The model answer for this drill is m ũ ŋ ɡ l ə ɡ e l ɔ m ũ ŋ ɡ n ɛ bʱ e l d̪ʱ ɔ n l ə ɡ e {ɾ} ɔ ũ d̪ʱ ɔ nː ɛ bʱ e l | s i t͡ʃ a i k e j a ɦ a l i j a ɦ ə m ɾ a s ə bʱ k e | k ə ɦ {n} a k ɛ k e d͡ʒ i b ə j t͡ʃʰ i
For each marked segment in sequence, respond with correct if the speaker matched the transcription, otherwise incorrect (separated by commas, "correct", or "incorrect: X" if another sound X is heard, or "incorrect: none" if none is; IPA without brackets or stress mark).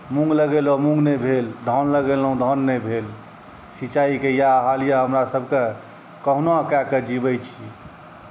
incorrect: l, correct